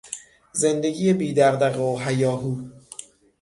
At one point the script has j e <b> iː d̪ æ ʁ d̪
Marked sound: correct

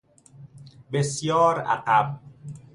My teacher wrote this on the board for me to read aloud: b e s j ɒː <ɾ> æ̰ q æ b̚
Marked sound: correct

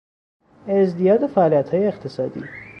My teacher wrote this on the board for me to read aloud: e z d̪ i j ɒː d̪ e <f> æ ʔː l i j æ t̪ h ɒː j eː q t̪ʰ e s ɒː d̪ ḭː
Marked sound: correct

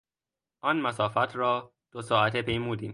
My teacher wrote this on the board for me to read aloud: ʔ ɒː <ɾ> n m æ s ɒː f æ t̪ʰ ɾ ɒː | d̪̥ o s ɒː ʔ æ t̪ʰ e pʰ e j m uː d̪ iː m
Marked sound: incorrect: none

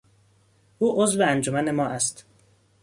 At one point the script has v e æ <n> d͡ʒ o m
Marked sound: correct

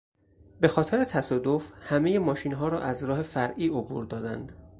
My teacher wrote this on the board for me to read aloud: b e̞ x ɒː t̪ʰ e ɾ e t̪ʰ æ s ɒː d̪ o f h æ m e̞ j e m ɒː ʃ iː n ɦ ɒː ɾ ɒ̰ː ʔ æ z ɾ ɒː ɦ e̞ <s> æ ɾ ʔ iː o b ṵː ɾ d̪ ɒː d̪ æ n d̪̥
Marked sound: incorrect: f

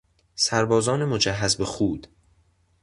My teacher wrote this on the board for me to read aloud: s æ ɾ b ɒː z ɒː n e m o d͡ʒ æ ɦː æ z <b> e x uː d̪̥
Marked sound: correct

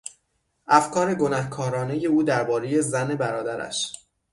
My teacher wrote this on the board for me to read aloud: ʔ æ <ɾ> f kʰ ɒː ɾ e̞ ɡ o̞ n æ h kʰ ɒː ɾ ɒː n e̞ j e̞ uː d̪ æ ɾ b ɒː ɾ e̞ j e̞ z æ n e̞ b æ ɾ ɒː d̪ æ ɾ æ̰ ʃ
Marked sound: incorrect: none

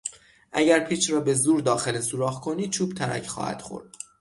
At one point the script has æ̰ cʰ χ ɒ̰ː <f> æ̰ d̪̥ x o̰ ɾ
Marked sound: incorrect: h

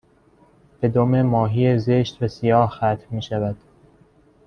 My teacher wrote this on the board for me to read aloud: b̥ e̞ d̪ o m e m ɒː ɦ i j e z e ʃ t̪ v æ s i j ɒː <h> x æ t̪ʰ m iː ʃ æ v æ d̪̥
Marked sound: correct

